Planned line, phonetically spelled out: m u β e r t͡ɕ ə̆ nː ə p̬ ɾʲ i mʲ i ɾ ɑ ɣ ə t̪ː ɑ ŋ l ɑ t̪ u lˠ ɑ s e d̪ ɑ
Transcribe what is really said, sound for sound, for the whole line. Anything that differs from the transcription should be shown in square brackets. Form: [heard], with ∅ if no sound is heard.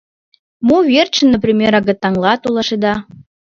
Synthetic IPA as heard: m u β e r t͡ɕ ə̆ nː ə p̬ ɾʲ i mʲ [e] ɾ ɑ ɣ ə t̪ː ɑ ŋ l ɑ t̪ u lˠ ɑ [ʃ] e d̪ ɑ

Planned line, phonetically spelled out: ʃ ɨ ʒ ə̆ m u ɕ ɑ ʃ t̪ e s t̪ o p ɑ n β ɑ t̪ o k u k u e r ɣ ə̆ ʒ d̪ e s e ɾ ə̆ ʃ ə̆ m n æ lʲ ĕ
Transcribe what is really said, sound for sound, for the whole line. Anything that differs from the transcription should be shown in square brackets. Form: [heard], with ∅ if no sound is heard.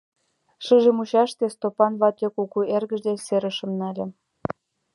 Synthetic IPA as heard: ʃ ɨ ʒ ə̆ m u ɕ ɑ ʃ t̪ e s t̪ o p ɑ n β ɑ t̪ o k u k u e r ɣ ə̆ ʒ d̪ e s e ɾ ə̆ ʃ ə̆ m n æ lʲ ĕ

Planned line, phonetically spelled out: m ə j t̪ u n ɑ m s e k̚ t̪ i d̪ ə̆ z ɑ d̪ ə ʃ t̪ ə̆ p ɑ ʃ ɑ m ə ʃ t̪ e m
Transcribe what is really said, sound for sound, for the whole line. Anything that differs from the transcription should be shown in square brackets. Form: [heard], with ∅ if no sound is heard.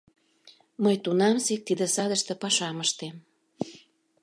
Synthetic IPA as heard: m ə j t̪ u n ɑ m s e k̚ t̪ i d̪ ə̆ [s] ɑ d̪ ə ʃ t̪ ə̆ p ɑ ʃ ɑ m ə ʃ t̪ e m

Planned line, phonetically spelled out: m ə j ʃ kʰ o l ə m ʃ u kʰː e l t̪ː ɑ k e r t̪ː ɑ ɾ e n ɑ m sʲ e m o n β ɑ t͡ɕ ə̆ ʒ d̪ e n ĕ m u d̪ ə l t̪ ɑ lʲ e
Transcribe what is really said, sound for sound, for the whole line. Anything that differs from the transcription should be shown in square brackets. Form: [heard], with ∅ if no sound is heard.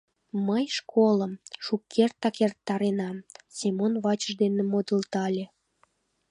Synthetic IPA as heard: m ə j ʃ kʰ o l ə m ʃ u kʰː e [r] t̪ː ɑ k e r t̪ː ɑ ɾ e n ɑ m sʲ e m o n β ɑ t͡ɕ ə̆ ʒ d̪ e n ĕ m [o] d̪ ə l t̪ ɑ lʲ e

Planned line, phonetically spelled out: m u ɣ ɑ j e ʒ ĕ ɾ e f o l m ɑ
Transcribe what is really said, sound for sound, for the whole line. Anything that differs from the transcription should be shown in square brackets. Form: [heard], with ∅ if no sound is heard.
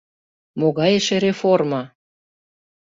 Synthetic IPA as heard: m [o] ɣ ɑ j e [ʃ] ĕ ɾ e f o [r] m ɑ

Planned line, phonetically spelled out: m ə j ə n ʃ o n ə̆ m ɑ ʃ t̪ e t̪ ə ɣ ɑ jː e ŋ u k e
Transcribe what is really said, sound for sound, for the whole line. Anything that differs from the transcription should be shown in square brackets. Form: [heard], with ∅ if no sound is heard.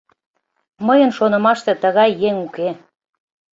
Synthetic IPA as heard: m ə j ə n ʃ o n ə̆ m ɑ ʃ t̪ e t̪ ə ɣ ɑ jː e ŋ u k e

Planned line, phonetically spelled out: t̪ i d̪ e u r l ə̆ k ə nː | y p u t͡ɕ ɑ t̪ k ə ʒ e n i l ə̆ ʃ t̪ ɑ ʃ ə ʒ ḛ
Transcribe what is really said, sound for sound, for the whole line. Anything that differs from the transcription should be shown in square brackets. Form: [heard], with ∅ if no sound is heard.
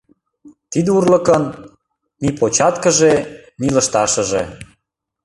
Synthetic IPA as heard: t̪ i d̪ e u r l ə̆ k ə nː | [i] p [o] t͡ɕ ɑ t̪ k ə ʒ e n i l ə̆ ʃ t̪ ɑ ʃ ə ʒ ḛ

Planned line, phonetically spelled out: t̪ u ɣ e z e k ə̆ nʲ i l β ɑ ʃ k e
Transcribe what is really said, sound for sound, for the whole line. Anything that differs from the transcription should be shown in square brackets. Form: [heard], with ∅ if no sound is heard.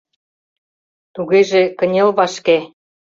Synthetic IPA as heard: t̪ u ɣ e [ʒ] e k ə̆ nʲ [e] l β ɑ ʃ k e

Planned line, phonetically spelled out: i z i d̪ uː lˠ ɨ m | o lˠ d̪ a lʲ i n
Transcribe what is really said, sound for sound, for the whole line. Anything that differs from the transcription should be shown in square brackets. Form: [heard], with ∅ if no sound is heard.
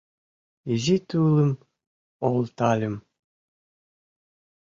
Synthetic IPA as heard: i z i [t̪] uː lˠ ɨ m | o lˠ [t̪] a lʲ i [m]

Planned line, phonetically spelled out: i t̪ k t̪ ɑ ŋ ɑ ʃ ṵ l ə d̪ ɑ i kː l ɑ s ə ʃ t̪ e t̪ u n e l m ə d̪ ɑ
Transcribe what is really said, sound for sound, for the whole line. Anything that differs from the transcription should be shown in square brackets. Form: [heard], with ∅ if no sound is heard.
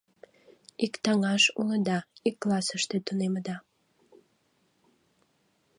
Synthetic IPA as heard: i [∅] k t̪ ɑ ŋ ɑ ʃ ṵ l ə d̪ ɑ i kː l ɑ s ə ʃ t̪ e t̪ u n e [∅] m ə d̪ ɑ

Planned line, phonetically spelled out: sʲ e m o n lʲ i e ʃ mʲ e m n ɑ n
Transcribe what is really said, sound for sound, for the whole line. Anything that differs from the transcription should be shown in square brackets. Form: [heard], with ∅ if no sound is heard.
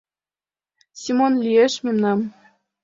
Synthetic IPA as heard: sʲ [i] m o n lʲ i e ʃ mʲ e m n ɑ [m]

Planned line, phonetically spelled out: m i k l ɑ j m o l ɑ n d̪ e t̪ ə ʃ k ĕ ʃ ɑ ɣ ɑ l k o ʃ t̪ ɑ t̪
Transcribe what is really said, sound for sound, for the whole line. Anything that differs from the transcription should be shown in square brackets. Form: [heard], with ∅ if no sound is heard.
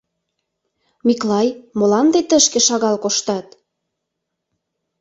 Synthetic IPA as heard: m i k l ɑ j m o l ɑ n d̪ e t̪ ə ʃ k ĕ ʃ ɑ ɣ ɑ l k o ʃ t̪ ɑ t̪

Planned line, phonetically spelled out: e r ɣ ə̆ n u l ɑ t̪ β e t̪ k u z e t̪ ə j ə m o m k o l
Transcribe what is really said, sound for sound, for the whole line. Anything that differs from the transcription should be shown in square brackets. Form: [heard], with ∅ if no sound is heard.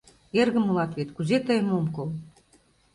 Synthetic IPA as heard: e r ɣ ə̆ [m] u l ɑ t̪ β e t̪ k u z e t̪ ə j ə m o m k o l

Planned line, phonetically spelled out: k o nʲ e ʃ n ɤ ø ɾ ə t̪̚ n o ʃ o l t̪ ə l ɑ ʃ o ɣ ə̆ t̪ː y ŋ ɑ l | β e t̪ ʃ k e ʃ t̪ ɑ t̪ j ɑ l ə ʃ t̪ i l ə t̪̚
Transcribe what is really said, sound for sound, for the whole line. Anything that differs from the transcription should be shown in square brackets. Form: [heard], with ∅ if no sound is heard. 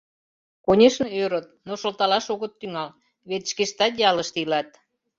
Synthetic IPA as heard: k o nʲ e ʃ n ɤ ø ɾ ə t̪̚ n o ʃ o l t̪ [ɑ] l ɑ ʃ o ɣ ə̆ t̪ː y ŋ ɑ l | β e t̪ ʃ k e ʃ t̪ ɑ t̪ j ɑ l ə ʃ t̪ i l [ɑ] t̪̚

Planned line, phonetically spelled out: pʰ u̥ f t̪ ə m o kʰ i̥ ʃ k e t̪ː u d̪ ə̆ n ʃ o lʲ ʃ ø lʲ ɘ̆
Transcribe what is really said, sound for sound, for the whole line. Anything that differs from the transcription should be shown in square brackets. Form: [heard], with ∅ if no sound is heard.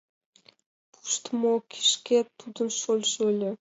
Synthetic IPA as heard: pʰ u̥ [ʃ] t̪ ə m o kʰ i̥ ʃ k e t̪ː u d̪ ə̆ n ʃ o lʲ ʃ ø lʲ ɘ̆

